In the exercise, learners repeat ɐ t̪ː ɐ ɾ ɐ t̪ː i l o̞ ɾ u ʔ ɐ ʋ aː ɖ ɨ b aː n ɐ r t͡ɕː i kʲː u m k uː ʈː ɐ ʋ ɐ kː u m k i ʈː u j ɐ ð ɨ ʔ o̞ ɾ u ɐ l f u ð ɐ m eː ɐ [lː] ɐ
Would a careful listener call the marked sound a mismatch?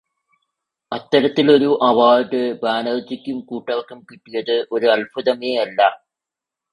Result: no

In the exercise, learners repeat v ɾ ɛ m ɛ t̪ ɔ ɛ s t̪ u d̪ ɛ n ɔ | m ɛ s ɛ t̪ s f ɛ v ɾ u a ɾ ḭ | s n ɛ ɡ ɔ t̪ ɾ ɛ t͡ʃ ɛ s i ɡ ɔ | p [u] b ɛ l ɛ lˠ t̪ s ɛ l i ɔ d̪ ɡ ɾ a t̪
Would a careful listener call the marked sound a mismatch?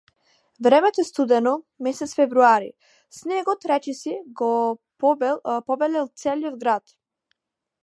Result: yes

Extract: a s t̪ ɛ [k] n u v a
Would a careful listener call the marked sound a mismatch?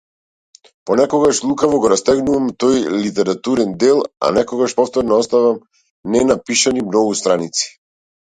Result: yes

